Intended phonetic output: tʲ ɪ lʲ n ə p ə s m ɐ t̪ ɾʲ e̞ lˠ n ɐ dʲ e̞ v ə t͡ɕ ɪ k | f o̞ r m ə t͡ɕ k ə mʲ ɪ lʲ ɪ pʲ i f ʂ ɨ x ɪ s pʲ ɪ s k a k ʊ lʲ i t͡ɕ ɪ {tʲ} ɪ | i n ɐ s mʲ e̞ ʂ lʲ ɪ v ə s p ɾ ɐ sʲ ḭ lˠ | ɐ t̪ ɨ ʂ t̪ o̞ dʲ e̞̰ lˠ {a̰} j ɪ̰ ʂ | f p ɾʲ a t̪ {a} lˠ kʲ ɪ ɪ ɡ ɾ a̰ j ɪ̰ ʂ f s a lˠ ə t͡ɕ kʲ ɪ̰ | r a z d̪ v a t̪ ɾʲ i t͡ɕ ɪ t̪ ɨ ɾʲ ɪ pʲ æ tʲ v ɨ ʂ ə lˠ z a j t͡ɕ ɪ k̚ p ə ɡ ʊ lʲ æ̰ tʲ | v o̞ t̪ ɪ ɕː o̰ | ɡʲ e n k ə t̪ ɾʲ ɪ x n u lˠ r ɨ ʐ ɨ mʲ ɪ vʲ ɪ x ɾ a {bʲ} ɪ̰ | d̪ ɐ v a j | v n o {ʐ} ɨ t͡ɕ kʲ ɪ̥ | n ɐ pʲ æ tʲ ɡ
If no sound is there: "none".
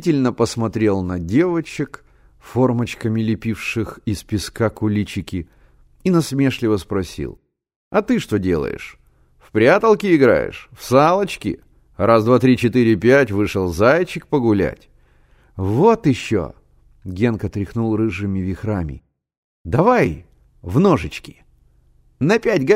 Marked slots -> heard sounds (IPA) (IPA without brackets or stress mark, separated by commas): kʲ, ə̰, ə, mʲ, ʐ